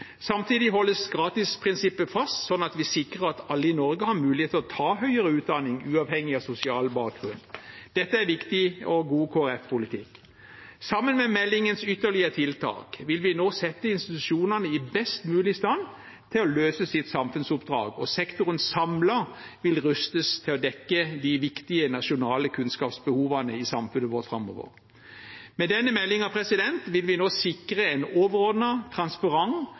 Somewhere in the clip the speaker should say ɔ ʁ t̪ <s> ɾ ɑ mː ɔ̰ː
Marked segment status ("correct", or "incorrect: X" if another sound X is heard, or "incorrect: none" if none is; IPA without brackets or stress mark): incorrect: f